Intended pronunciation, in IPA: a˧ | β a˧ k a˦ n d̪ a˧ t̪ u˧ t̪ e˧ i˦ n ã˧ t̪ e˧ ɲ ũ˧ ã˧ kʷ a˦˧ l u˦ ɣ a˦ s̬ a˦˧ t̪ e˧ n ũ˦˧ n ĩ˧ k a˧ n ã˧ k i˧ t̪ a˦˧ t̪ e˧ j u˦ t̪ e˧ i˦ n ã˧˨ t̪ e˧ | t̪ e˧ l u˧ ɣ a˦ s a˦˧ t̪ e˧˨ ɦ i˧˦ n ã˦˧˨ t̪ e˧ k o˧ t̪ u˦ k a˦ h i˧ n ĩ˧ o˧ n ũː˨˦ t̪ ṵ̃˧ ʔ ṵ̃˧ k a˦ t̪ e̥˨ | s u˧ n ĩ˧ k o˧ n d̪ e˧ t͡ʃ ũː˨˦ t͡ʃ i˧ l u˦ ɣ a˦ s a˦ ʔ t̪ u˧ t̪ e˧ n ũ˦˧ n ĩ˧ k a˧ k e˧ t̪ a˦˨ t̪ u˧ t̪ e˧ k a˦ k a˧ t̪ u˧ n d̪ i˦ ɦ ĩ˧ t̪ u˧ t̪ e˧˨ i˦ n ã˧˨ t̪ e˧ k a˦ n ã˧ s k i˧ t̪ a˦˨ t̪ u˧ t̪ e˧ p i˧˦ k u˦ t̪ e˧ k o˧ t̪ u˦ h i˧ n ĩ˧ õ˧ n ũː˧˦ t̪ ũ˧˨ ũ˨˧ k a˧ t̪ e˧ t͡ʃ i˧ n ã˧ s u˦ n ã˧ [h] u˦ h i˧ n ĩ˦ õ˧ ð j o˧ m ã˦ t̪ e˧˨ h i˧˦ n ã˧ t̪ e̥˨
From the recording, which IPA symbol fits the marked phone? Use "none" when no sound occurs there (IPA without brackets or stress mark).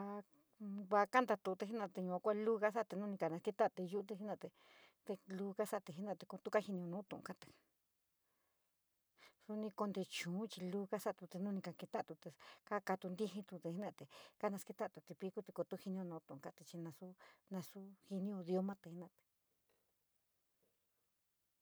s